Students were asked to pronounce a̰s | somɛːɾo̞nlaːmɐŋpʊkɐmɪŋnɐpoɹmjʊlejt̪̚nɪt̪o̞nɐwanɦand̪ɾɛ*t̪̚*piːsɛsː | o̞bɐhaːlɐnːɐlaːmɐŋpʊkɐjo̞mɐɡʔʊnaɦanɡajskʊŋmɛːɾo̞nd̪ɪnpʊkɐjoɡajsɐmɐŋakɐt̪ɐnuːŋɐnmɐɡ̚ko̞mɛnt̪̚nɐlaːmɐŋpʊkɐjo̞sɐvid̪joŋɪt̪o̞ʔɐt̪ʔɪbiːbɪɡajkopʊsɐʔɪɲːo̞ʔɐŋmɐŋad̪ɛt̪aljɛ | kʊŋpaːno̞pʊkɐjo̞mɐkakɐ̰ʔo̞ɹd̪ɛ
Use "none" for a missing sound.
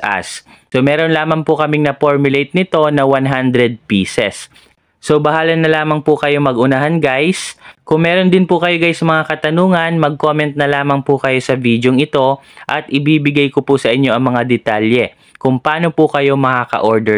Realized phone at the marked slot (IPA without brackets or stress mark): d̪̚